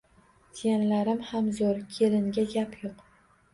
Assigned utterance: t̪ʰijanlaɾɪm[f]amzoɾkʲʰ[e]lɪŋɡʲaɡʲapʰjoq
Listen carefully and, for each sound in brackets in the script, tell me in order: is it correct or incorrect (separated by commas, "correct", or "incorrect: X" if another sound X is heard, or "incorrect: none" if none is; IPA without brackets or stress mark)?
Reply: incorrect: h, correct